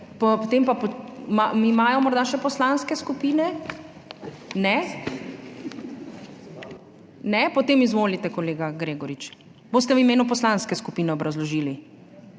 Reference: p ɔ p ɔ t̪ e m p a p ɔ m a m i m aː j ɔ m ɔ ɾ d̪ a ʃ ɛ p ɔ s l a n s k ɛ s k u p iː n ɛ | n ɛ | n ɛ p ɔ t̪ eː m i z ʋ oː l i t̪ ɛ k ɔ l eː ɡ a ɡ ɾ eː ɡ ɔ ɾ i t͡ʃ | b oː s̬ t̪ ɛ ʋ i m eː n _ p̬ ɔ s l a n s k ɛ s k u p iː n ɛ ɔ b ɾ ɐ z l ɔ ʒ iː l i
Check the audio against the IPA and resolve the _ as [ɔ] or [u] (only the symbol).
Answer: u